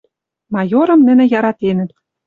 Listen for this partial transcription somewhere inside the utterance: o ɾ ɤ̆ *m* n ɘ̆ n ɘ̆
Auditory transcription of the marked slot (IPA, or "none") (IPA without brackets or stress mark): m